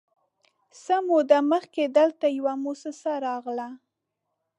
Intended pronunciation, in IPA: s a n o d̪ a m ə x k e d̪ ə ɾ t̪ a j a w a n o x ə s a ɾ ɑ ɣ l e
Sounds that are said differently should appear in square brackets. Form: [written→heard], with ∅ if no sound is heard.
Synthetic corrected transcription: s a [n→m] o d̪ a m ə x k e d̪ ə [ɾ→l] t̪ a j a w a [n→m] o [x→s] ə s a ɾ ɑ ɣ l [e→a]